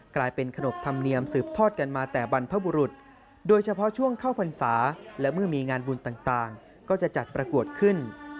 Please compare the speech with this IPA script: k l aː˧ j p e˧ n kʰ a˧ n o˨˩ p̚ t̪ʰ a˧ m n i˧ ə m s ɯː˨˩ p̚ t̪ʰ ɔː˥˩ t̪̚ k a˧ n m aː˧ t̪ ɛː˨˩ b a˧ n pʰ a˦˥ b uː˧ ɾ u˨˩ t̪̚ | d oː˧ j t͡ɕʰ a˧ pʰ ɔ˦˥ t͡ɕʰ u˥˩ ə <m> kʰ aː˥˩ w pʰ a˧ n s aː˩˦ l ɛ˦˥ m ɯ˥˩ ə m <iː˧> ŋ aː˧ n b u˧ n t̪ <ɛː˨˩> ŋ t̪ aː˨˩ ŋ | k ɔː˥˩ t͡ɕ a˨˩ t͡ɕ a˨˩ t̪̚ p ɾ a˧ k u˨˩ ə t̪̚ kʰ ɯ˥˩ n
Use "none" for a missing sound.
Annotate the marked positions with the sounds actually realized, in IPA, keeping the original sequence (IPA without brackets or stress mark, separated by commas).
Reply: ŋ, iː˧, aː˨˩